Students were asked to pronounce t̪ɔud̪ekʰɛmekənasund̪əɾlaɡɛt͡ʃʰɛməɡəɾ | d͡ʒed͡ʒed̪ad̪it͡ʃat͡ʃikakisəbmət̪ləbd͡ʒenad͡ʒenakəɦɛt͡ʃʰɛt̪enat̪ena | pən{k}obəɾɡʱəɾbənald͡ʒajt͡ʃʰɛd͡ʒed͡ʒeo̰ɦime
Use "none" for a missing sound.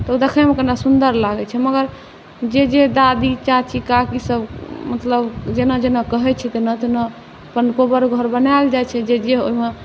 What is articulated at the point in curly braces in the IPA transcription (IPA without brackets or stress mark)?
k